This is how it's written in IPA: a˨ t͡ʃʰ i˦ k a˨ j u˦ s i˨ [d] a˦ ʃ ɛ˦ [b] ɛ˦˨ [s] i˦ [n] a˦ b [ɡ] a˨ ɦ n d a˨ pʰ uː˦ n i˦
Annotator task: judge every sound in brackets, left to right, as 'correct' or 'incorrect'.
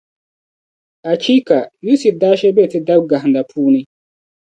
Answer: correct, correct, incorrect, incorrect, correct

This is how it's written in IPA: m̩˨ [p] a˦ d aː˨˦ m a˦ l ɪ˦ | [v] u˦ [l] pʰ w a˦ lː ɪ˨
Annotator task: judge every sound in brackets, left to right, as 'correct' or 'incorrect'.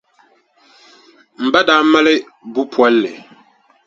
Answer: incorrect, incorrect, incorrect

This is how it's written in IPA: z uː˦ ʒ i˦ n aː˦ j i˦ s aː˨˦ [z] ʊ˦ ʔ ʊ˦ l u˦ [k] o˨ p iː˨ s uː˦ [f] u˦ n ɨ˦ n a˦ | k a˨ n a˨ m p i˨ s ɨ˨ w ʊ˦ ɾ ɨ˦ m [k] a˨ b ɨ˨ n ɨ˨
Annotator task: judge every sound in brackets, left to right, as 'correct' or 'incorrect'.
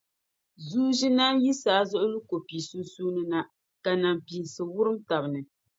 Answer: correct, correct, incorrect, incorrect

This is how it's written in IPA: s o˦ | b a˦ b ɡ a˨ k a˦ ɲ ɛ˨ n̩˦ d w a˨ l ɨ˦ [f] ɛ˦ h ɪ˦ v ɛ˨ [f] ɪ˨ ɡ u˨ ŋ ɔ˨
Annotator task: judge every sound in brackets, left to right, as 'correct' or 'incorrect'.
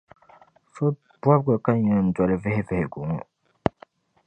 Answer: incorrect, incorrect

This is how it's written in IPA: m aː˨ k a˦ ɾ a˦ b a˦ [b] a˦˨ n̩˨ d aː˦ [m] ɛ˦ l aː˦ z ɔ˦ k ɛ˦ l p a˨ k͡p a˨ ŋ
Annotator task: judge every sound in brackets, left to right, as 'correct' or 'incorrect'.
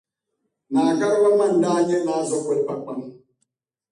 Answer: incorrect, incorrect

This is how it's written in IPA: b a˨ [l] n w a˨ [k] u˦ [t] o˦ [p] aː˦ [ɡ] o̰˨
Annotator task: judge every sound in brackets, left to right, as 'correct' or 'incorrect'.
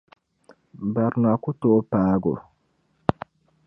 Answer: incorrect, correct, correct, correct, correct

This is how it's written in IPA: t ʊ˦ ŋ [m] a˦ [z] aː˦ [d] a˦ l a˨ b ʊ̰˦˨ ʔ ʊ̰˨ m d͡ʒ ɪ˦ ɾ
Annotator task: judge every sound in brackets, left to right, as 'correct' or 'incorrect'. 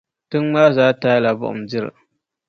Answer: correct, correct, incorrect

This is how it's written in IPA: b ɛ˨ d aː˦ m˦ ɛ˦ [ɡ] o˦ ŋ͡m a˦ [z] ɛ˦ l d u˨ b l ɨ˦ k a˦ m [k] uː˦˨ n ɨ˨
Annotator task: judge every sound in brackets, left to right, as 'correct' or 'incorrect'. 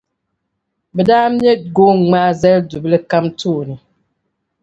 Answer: correct, correct, incorrect

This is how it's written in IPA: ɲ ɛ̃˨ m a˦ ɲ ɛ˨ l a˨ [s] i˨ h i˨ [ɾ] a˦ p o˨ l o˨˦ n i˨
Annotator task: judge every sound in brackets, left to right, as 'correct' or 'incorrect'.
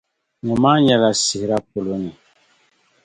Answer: correct, correct

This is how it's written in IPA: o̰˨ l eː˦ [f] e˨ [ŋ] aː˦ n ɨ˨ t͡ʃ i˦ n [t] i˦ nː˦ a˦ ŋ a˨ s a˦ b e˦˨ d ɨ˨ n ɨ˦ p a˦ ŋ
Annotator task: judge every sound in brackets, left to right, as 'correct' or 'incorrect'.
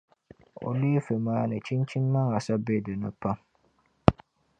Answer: correct, incorrect, incorrect

